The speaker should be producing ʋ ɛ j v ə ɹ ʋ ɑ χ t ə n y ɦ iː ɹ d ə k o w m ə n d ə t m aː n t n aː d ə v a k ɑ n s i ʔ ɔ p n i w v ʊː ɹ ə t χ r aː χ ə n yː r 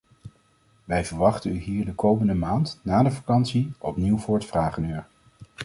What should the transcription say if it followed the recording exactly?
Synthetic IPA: ʋ ɛ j v ə ɹ ʋ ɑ χ t ə n y ɦ iː ɹ d ə k o w m ə n d ə m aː n t n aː d ə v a k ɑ n s i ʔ ɔ p n i w v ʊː ɹ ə t f r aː χ ə n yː ɹ

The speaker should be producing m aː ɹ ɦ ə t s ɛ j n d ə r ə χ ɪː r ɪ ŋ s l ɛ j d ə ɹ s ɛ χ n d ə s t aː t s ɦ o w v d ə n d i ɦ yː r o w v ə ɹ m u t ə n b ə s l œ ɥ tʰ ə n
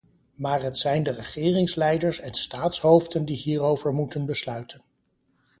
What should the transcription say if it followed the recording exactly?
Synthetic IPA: m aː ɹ ɦ ə t s ɛ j n d ə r ə χ ɪː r ɪ ŋ s l ɛ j d ə ɹ s ɛ n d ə s t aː t s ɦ o w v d ə n d i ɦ iː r o w v ə ɹ m u t ə n b ə s l œ ɥ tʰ ə n

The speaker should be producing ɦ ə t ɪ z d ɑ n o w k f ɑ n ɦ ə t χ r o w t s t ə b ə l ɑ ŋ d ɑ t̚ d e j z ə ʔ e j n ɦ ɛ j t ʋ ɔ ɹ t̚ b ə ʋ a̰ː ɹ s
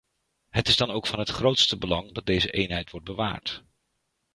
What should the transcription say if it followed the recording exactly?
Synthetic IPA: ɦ ə t ɪ z d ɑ n o w k f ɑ n ɦ ə t χ r o w t s t ə b ə l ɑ ŋ d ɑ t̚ d e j z ə ʔ e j n ɦ ɛ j t ʋ ɔ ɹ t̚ b ə ʋ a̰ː ɹ t

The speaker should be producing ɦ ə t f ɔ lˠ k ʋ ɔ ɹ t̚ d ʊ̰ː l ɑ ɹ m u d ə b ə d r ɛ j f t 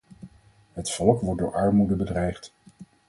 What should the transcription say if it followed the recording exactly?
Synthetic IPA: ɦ ə t f ɔ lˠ k ʋ ɔ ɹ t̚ d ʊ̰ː ɹ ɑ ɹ m u d ə b ə d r ɛ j χ t

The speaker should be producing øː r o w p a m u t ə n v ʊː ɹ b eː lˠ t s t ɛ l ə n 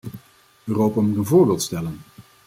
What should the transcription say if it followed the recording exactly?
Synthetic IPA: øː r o w p a m u t ə n v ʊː ɹ b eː lˠ t s t ɛ l ə n

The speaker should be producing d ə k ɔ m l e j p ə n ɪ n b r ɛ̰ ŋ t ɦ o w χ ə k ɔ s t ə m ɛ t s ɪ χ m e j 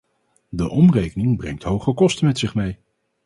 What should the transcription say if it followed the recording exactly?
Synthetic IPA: d ə ʔ ɔ m r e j k ə n ɪ ŋ b r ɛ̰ ŋ t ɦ o w χ ə k ɔ s t ə m ɛ t s ɪ χ m e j

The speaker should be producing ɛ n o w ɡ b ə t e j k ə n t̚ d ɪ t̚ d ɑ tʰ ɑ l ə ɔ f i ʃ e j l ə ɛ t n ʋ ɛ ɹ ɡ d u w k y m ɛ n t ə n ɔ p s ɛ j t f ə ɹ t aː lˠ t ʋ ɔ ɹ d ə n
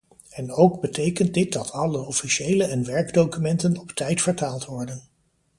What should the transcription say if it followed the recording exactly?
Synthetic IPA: ɛ n o w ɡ b ə t e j k ə n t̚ d ɪ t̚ d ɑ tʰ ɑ l ə ɔ f i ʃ e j l ə ɛ n ʋ ɛ ɹ ɡ d o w k y m ɛ n t ə n ɔ p t ɛ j t f ə ɹ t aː lˠ t ʋ ɔ ɹ d ə n

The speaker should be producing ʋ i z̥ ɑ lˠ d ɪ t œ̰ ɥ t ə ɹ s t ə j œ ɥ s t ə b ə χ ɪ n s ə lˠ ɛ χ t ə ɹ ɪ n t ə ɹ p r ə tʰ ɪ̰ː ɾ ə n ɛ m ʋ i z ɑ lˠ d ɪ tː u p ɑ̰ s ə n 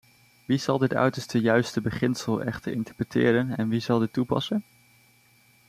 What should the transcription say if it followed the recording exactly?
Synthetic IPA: ʋ i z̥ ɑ lˠ d ɪ t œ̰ ɥ t ə ɹ s t ə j œ ɥ s t ə b ə χ ɪ n s ə lˠ ɛ χ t ə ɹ ɪ n t ə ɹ p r ə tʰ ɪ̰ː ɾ ə n ɛ n ʋ i z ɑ lˠ d ɪ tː u p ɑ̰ s ə n

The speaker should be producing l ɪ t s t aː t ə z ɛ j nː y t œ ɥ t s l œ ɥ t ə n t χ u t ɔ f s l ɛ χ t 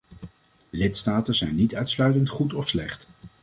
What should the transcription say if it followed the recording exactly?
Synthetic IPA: l ɪ t s t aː t ə z ɛ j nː i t œ ɥ t s l œ ɥ t ə n t χ u t ɔ f s l ɛ χ t

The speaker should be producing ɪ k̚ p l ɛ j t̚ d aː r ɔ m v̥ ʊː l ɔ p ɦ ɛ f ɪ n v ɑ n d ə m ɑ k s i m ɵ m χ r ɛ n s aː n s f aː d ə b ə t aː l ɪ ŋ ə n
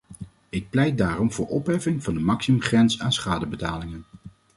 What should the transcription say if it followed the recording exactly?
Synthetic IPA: ɪ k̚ p l ɛ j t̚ d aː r ɔ m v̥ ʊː ɹ ɔ p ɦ ɛ f ɪ ŋ v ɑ n d ə m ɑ k s i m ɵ m χ r ɛ n s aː n s χ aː d ə b ə t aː l ɪ ŋ ə n

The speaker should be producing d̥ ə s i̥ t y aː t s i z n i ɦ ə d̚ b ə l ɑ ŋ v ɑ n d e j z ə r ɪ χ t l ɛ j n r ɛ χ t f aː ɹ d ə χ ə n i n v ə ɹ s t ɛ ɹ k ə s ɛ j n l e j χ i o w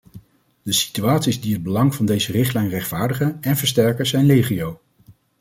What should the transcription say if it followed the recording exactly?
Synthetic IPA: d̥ ə s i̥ t y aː t s i z d i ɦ ə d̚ b ə l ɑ ŋ v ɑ n d e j z ə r ɪ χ t l ɛ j n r ɛ χ t f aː ɹ d ə χ ə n ɛ n v ə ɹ s t ɛ ɹ k ə z ɛ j n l e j χ i o w

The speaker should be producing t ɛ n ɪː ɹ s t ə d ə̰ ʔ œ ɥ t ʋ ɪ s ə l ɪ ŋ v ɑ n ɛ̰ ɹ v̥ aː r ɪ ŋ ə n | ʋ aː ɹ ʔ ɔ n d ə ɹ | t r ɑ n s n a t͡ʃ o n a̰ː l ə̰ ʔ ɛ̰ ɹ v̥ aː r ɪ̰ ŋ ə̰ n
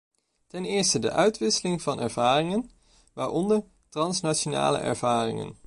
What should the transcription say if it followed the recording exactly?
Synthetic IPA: t ɛ n ɪː ɹ s t ə d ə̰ ʔ œ ɥ t ʋ ɪ s ə l ɪ ŋ v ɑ n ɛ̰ ɹ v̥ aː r ɪ ŋ ə n | ʋ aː ɹ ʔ ɔ n d ə ɹ | t r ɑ n s n a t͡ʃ o n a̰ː l ə̰ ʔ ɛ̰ ɹ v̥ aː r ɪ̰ ŋ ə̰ n

